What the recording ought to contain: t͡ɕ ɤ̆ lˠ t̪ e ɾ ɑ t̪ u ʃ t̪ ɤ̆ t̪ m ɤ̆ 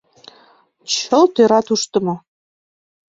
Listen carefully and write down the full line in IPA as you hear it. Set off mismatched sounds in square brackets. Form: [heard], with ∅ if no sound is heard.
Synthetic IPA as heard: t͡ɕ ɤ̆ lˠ t̪ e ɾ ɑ t̪ u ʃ t̪ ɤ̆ [∅] m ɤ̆